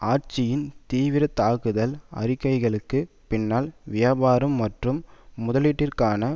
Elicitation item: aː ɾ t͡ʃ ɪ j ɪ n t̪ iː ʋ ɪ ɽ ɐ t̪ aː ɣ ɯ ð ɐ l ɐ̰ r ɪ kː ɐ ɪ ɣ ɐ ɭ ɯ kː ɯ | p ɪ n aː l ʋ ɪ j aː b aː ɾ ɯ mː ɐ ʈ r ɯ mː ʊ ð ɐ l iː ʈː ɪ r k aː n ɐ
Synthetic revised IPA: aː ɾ t͡ʃ ɪ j ɪ n t̪ iː ʋ ɪ ɾ ɐ t̪ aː ɣ ɯ ð ɐ l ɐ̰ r ɪ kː ɐ ɪ ɣ ɐ ɭ ɯ kː ɯ | p ɪ nː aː l ʋ ɪ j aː b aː ɾ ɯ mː ɐ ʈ r ɯ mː ʊ ð ɐ l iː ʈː ɪ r k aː n ɐ